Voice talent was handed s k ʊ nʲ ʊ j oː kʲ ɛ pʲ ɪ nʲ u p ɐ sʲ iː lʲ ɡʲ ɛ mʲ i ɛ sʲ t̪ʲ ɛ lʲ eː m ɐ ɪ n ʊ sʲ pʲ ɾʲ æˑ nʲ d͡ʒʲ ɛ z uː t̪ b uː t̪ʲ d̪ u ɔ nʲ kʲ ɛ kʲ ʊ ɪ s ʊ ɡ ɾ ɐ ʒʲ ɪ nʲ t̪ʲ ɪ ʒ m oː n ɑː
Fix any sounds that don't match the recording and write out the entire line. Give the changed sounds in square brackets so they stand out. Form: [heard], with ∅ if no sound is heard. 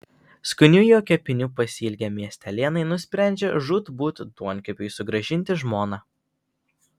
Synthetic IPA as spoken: s k ʊ nʲ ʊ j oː kʲ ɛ pʲ ɪ nʲ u p ɐ sʲ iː lʲ ɡʲ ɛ mʲ i ɛ sʲ t̪ʲ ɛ lʲ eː [n] ɐ ɪ n ʊ sʲ pʲ ɾʲ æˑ nʲ d͡ʒʲ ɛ [ʒ] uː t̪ b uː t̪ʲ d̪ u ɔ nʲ kʲ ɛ [pʲ] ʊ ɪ s ʊ ɡ ɾ ɐ ʒʲ ɪ nʲ t̪ʲ ɪ ʒ m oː n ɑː